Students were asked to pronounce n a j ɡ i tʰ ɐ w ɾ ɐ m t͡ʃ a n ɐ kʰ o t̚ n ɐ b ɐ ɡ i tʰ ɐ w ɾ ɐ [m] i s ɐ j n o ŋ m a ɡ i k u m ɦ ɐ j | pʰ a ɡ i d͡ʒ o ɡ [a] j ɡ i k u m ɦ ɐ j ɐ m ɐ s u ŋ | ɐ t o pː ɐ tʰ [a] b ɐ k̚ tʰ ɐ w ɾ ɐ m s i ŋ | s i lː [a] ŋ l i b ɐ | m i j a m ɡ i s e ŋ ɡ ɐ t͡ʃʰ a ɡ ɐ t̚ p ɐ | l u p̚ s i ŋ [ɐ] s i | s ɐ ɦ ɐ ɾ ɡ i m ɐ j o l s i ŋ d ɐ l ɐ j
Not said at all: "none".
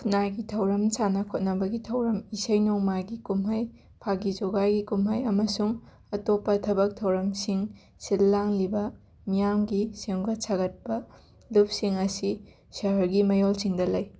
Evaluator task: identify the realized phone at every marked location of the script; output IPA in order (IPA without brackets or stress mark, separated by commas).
m, a, ɐ, a, ɐ